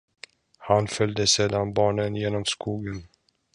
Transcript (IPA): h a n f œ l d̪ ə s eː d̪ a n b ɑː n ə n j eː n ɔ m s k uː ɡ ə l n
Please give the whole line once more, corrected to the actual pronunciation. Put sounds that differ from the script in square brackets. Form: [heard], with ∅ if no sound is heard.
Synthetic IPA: h a n f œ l d̪ ə s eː d̪ a n b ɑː [ɳ] ə n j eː n ɔ m s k uː ɡ ə [∅] n